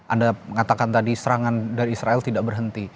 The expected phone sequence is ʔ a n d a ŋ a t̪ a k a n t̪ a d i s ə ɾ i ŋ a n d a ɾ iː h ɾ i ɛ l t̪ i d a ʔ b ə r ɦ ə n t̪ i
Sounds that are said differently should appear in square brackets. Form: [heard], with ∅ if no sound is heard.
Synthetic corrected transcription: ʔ a n d a ŋ a t̪ a k a n t̪ a d i s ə ɾ [a] ŋ a n d a ɾ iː [s] ɾ [a] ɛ l t̪ i d a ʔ b ə r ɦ ə n t̪ i